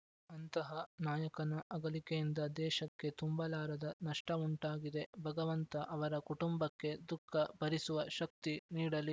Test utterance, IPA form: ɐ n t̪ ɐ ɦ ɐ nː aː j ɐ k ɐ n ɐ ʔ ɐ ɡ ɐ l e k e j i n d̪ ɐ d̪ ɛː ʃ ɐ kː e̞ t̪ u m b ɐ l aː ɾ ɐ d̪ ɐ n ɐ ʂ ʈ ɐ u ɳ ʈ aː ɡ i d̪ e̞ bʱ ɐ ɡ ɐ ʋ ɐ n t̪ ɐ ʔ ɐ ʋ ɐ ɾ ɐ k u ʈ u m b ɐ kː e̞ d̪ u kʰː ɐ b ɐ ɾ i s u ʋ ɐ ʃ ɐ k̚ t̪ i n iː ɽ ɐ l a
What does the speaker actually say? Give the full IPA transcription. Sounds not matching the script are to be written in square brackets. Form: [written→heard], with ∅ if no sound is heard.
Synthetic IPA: ɐ n t̪ ɐ ɦ ɐ [nː→n] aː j ɐ k ɐ n ɐ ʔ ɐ ɡ ɐ l [e→i] k e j i n d̪ ɐ d̪ ɛː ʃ ɐ kː e̞ t̪ u m b ɐ l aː ɾ ɐ d̪ ɐ n ɐ ʂ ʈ ɐ u ɳ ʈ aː ɡ i d̪ e̞ bʱ ɐ ɡ ɐ ʋ ɐ n t̪ ɐ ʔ ɐ ʋ ɐ ɾ ɐ k u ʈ u m b ɐ kː e̞ d̪ u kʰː ɐ b ɐ ɾ i s u ʋ ɐ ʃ ɐ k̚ t̪ i n iː ɽ ɐ l [a→i]